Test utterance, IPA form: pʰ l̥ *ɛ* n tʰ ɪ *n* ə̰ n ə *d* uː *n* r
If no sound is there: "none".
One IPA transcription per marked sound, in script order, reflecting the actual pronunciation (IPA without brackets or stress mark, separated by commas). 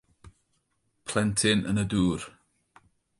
ɛ, n, d, none